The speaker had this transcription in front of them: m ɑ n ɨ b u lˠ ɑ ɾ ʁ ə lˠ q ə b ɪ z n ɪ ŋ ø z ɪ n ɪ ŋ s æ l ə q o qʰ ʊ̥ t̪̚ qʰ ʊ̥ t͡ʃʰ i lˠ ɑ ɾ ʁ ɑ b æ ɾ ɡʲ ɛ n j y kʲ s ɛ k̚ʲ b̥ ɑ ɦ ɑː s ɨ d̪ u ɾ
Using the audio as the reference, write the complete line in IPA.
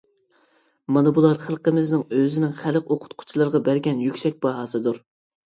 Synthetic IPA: m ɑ n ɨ b u lˠ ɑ ɾ χ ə lˠ q ə m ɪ z n ɪ ŋ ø z ɪ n ɪ ŋ χ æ l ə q o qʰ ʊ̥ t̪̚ qʰ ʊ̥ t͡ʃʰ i lˠ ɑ ɾ ʁ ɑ b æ ɾ ɡʲ ɛ n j y kʲ s ɛ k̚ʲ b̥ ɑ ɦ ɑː s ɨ d̪ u ɾ